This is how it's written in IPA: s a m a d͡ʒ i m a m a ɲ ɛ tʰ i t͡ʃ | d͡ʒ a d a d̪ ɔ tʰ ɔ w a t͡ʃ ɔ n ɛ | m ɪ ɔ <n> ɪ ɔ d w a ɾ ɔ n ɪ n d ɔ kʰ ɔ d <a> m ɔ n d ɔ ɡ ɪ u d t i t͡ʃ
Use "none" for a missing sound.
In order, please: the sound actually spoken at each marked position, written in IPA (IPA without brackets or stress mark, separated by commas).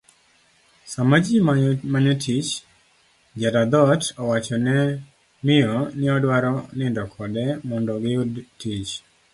n, ɛ